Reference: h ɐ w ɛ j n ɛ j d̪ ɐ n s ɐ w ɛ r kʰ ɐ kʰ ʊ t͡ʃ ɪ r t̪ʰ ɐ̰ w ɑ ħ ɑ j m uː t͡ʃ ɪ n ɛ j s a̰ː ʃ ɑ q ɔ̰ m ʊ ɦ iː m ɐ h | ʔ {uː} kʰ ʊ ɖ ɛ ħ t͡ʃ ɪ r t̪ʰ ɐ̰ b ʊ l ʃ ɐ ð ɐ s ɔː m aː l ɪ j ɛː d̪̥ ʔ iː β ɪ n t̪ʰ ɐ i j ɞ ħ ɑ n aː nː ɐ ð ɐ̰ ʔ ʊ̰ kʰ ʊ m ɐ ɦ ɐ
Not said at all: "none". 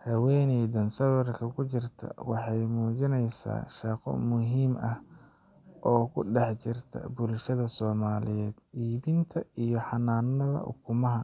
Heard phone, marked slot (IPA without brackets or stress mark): ɔː